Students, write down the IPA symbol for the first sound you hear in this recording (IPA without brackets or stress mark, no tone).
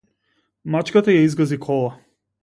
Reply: m